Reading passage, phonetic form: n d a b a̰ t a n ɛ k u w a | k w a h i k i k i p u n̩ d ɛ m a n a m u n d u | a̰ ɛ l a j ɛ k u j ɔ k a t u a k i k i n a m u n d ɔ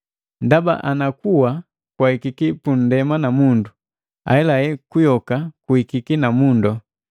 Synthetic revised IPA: n d a b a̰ ʔ a n a k u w a | k w a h i k i k i p u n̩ d ɛ m a n a m u n d u | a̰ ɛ l a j ɛ k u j ɔ k a k u i k i k i n a m u n d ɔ